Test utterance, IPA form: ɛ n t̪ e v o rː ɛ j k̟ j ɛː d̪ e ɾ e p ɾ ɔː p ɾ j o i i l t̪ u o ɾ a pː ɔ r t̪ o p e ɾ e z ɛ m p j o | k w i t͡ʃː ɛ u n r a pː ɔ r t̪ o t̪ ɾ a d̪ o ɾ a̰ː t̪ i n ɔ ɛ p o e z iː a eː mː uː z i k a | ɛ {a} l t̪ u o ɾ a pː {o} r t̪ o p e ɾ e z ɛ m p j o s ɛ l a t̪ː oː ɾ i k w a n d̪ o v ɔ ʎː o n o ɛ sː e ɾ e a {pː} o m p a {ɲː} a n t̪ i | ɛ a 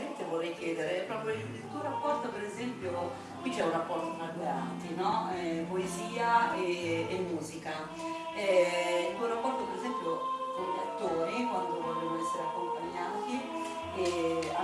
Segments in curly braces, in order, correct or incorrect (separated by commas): incorrect, incorrect, incorrect, correct